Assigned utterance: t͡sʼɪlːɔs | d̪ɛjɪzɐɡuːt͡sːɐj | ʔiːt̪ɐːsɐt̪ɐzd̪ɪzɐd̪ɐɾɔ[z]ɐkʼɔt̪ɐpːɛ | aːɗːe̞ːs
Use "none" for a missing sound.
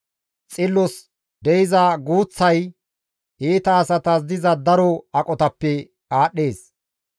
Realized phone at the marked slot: none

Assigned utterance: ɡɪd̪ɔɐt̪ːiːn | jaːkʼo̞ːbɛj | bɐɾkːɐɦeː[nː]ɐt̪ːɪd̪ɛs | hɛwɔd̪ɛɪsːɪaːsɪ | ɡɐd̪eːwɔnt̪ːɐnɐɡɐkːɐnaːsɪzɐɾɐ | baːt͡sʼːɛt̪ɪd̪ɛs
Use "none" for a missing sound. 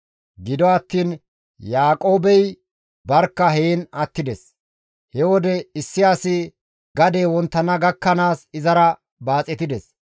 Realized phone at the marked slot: n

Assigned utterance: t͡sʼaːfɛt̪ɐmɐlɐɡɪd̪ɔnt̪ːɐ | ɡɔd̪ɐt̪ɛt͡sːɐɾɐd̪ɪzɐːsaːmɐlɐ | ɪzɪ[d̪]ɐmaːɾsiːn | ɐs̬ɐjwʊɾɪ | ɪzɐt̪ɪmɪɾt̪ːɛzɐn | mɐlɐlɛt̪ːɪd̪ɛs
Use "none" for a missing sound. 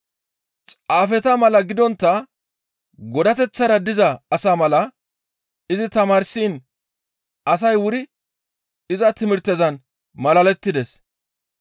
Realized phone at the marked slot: t̪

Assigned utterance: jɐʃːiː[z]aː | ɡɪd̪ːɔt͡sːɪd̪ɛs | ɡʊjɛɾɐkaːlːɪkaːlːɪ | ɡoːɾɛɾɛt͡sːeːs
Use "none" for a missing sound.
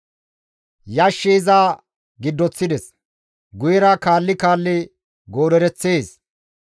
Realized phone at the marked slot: z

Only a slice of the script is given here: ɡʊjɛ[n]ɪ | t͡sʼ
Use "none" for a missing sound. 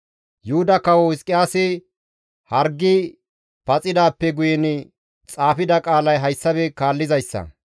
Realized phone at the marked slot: n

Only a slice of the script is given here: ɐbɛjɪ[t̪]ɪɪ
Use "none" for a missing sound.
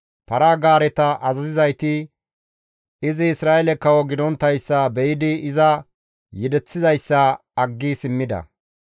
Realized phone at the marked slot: d̪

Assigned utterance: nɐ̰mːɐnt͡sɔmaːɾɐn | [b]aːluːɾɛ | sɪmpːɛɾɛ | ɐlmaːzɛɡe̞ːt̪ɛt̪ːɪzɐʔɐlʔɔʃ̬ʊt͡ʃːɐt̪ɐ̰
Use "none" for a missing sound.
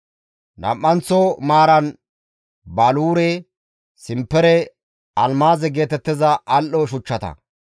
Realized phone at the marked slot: b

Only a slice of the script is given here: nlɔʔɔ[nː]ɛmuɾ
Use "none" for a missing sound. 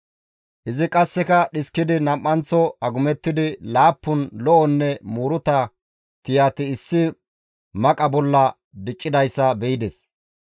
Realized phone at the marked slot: nː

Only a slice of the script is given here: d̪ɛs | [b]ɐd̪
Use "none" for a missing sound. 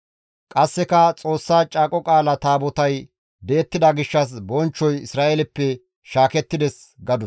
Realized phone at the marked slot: ɡ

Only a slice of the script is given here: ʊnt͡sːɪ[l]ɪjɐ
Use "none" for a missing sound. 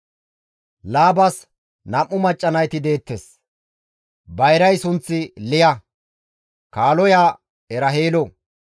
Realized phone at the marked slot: l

